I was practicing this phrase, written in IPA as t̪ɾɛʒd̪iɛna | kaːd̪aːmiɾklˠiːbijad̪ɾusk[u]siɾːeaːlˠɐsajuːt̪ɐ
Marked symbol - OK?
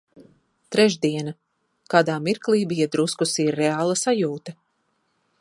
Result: yes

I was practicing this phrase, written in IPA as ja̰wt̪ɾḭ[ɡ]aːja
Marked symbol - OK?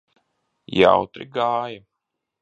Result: yes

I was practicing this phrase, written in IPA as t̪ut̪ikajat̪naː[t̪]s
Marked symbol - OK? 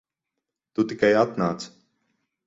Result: yes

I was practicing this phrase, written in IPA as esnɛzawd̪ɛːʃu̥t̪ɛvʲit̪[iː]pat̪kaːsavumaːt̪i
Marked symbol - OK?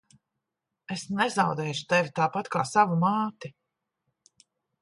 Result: no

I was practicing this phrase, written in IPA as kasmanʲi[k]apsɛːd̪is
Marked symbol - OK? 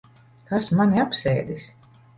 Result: no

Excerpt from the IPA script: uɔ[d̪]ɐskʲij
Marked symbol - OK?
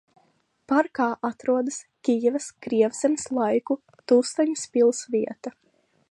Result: yes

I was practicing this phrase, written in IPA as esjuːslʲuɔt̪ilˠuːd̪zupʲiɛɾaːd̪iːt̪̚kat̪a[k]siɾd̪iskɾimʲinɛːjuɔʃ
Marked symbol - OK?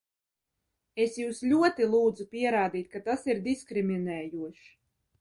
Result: no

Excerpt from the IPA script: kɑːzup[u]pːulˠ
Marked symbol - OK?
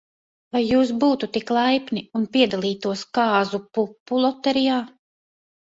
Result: yes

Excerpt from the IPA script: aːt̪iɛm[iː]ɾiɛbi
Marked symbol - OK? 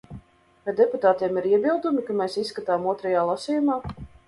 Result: no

